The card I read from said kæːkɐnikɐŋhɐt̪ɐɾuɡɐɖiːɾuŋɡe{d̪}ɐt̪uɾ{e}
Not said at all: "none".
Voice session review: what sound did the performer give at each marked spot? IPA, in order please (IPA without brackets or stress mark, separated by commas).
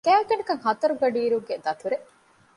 d̪, e